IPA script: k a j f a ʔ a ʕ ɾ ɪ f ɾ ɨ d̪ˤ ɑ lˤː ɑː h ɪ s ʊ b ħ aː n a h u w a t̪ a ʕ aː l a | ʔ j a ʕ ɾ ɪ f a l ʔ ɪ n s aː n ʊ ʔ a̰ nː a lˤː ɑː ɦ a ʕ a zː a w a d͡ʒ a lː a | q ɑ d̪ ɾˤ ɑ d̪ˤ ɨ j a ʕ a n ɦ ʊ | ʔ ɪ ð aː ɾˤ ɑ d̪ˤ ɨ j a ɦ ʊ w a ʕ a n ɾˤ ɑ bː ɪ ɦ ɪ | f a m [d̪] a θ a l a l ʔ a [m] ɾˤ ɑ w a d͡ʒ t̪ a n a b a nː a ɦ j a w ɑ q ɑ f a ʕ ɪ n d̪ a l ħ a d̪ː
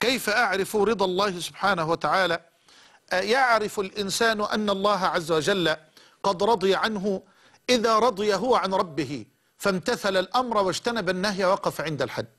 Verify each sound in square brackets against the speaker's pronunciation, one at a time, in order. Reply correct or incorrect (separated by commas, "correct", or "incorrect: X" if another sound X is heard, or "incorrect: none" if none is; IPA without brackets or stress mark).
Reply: incorrect: t̪, correct